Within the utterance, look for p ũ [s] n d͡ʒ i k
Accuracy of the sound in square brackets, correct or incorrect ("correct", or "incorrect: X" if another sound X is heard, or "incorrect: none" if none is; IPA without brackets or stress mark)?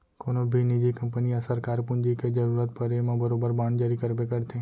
incorrect: none